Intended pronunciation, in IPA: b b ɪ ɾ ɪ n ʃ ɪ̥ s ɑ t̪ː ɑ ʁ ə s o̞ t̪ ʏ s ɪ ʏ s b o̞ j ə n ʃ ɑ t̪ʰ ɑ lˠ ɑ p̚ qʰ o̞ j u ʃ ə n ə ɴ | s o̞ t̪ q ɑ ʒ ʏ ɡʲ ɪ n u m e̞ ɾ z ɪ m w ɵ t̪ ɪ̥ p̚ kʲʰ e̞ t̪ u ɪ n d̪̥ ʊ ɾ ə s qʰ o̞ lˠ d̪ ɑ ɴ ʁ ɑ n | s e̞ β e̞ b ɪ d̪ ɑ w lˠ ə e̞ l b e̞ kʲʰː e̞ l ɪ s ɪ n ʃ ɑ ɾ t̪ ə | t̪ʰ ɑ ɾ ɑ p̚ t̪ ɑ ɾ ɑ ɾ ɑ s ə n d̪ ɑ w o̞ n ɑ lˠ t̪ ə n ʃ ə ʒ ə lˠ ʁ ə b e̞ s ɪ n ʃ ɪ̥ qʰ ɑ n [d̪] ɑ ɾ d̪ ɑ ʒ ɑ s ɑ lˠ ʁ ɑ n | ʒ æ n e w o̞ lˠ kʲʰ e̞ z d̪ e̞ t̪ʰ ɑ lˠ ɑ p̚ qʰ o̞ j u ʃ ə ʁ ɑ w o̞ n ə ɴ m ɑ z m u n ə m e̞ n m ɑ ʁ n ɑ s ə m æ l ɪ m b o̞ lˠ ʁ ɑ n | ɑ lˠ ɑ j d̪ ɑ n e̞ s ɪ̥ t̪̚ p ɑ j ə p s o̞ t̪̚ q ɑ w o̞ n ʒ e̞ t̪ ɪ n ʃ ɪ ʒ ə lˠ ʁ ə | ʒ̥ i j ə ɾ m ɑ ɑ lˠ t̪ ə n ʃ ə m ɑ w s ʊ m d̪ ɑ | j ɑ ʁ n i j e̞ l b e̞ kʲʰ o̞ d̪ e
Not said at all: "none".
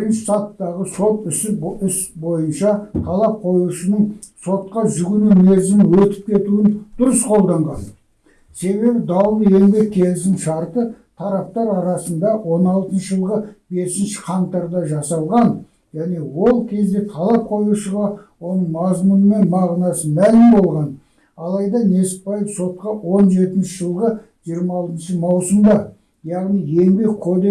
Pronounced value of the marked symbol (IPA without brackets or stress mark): t̪